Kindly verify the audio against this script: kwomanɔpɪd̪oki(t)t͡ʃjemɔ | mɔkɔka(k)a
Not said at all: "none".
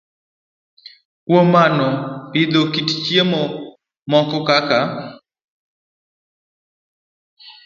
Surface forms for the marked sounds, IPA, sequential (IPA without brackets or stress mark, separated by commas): t, k